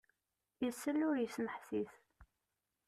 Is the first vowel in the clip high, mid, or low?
mid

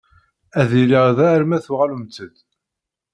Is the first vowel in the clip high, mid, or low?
low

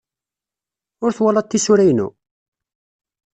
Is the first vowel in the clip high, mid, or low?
high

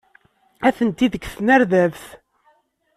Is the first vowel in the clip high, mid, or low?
low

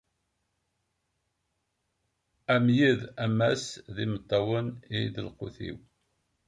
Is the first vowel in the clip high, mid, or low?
low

